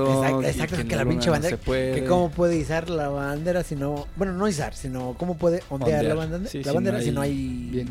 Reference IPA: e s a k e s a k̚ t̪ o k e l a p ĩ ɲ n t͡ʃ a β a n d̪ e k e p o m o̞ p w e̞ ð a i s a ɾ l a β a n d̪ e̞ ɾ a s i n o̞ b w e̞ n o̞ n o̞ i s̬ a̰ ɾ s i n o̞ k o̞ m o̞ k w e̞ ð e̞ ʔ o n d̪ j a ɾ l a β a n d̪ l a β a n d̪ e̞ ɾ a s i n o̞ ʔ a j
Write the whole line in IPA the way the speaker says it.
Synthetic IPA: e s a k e s a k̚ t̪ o k e l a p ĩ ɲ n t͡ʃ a β a n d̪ e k e k o m o̞ p w e̞ ð e i s a ɾ l a β a n d̪ e̞ ɾ a s i n o̞ b w e̞ n o̞ n o̞ i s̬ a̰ ɾ s i n o̞ k o̞ m o̞ p w e̞ ð e̞ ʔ o n d̪ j a ɾ l a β a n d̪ l a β a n d̪ e̞ ɾ a s i n o̞ a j